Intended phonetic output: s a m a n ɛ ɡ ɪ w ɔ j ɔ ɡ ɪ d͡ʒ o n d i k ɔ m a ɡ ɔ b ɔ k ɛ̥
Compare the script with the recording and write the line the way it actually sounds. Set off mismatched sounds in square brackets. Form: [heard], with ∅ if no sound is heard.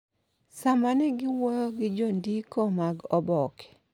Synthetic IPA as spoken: s a m a n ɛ ɡ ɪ w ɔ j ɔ ɡ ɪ d͡ʒ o n d i k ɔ m a ɡ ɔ b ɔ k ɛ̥